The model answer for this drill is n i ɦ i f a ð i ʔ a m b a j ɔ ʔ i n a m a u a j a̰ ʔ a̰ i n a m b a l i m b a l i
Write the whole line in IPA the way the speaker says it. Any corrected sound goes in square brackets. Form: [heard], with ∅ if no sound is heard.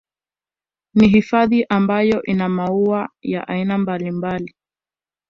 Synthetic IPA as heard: n i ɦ i f a ð i ʔ a m b a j ɔ ʔ i n a m a u a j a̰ ʔ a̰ i n a m b a l i m b a l i